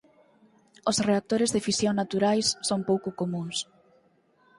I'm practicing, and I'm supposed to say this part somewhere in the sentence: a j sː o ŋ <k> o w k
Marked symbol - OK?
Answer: no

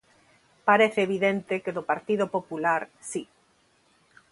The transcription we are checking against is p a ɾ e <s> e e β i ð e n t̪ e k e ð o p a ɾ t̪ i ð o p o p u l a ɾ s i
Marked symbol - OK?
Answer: no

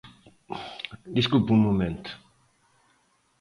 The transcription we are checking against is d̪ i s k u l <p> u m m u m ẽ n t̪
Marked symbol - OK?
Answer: yes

